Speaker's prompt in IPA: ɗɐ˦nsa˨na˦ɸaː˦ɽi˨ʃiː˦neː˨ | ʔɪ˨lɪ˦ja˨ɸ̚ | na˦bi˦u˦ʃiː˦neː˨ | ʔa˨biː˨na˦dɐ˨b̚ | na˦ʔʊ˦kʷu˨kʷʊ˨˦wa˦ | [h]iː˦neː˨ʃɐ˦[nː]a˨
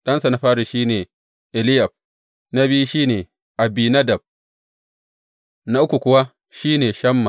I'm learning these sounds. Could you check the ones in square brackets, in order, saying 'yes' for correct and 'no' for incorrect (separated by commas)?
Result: no, no